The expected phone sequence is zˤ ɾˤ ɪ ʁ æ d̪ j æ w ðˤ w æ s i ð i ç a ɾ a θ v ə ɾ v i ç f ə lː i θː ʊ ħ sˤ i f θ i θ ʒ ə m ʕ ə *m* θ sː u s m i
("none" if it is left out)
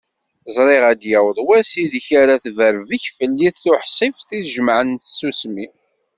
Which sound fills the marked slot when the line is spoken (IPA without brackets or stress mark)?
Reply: n